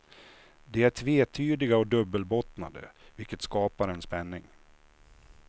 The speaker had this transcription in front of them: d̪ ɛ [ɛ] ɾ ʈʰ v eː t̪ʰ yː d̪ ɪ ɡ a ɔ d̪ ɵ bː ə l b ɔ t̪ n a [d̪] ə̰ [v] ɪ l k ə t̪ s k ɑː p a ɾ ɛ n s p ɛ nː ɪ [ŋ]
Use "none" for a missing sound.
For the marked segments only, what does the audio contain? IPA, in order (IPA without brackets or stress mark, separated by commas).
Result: æ, d̪, v, ŋ